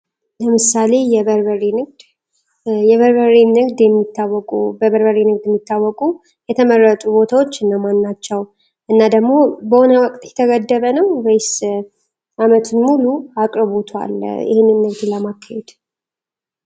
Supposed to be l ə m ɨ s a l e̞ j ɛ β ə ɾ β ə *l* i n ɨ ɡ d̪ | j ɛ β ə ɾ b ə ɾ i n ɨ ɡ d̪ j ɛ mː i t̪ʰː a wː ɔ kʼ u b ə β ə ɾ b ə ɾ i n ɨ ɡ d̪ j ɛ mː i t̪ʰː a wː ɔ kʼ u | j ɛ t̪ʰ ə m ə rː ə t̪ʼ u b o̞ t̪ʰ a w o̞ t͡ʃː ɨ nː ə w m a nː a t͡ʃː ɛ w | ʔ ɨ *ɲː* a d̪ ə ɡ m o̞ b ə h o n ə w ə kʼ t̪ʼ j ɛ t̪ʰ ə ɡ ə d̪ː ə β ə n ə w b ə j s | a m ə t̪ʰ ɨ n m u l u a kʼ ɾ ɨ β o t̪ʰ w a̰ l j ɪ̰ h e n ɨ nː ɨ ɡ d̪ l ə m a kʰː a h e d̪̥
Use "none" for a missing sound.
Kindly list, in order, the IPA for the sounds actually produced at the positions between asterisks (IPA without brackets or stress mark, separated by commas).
ɾ, nː